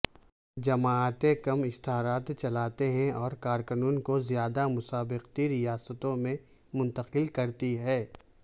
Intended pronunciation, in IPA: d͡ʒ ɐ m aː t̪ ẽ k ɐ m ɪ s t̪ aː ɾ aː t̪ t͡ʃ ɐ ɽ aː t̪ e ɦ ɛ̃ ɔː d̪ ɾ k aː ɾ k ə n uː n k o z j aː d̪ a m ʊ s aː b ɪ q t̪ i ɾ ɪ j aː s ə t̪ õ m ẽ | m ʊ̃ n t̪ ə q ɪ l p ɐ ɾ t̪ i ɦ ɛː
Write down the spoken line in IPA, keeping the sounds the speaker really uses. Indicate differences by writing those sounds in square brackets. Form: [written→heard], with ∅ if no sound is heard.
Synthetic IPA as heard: d͡ʒ ɐ m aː t̪ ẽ k ɐ m ɪ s t̪ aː ɾ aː t̪ t͡ʃ ɐ [ɽ→l] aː t̪ e ɦ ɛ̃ ɔː [d̪→∅] ɾ k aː ɾ k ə n uː n k o z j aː d̪ a m ʊ s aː b ɪ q t̪ i ɾ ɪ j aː s ə t̪ õ m ẽ | m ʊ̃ n t̪ ə q ɪ l [p→k] ɐ ɾ t̪ i ɦ ɛː